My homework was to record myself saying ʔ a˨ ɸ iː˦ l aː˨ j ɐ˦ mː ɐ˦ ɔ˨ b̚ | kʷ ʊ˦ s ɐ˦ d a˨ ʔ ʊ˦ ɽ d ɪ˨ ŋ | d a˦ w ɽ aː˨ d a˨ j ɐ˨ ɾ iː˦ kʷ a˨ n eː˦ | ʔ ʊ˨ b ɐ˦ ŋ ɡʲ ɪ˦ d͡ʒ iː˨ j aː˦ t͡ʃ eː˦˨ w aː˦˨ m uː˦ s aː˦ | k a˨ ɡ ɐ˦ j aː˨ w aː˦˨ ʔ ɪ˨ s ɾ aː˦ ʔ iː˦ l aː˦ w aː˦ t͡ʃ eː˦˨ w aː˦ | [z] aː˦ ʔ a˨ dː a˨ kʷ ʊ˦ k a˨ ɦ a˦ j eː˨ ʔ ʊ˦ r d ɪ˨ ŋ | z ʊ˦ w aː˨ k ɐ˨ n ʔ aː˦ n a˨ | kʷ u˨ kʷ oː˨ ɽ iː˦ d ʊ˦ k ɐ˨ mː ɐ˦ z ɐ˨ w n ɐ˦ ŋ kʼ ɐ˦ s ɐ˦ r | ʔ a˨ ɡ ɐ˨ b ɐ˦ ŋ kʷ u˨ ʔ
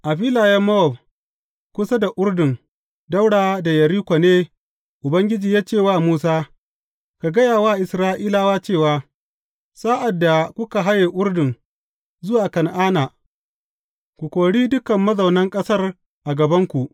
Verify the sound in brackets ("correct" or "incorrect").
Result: incorrect